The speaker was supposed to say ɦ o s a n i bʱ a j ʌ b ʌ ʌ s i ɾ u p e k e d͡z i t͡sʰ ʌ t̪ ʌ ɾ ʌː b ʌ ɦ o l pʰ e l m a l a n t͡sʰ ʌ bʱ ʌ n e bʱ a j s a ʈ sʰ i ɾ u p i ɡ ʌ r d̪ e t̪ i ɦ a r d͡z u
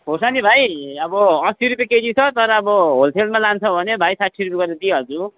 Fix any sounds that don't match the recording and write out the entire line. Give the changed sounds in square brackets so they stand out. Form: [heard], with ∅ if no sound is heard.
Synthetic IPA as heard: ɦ o s a n i bʱ a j ʌ b ʌ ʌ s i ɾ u p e k e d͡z i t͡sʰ ʌ t̪ ʌ ɾ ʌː b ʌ ɦ o l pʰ e l m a l a n t͡sʰ ʌ bʱ ʌ n e bʱ a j s a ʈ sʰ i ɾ u p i ɡ ʌ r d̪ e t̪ i ɦ [ʌ] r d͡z u